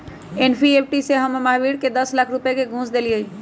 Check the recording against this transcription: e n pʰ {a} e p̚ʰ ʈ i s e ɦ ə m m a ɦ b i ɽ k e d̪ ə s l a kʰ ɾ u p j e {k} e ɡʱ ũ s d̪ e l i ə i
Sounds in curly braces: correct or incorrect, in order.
incorrect, correct

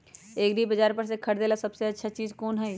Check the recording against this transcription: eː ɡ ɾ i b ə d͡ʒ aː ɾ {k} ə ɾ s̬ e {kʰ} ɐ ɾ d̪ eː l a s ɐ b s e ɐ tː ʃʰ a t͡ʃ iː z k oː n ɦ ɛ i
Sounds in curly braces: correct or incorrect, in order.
incorrect, correct

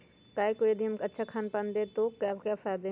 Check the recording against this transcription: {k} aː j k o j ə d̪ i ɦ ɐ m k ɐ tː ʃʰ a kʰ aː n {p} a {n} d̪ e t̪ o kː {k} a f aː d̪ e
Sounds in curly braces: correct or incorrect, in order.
correct, correct, correct, correct

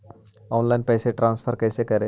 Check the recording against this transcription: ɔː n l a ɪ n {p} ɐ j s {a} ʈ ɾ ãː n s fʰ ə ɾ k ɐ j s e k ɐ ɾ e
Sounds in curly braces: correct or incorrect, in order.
correct, incorrect

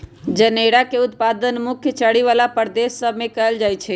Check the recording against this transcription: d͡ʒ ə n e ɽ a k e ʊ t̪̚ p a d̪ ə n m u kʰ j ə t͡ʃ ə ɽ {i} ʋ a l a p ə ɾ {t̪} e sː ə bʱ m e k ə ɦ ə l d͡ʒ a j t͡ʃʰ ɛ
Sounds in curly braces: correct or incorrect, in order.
correct, incorrect

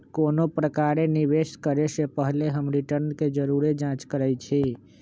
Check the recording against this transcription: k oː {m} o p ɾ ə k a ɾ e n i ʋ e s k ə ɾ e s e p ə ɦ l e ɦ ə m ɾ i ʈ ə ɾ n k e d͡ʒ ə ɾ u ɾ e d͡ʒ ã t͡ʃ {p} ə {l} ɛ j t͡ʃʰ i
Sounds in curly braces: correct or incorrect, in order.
incorrect, incorrect, incorrect

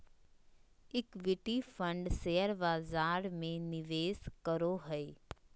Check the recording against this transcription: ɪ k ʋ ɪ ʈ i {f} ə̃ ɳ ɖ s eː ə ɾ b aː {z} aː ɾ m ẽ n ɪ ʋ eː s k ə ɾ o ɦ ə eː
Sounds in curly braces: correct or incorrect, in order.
correct, correct

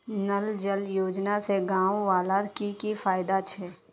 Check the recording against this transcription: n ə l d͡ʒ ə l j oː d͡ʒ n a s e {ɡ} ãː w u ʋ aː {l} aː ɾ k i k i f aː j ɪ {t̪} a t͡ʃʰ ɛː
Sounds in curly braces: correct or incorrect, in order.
correct, correct, incorrect

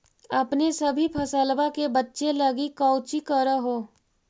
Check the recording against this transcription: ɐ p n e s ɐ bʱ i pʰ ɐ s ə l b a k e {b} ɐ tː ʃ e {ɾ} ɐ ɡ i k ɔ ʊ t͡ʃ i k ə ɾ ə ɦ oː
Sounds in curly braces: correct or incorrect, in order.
correct, incorrect

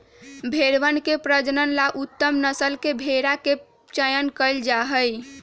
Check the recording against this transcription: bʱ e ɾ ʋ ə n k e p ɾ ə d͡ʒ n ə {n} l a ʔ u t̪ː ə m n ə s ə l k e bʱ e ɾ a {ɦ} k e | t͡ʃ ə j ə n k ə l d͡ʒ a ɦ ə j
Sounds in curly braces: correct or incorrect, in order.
correct, incorrect

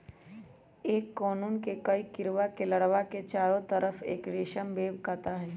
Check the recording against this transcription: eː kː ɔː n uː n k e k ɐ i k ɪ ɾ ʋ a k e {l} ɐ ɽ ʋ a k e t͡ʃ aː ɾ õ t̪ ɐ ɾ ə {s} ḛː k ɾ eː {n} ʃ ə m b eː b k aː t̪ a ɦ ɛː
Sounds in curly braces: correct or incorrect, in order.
correct, incorrect, incorrect

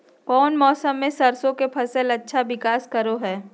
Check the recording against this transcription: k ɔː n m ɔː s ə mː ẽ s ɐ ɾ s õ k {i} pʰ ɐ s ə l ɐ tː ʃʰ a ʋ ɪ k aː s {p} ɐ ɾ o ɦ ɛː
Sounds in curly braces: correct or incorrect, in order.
incorrect, incorrect

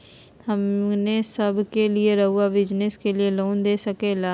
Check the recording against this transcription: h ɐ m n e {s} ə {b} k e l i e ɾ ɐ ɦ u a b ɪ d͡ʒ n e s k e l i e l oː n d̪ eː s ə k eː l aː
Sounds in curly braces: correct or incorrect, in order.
correct, correct

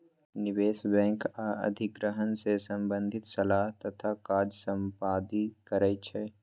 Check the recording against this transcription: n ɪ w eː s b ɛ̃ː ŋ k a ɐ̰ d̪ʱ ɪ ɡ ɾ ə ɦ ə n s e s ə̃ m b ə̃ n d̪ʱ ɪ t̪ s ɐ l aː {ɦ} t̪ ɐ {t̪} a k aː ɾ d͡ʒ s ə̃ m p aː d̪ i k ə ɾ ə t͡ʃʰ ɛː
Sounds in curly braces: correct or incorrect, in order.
correct, incorrect

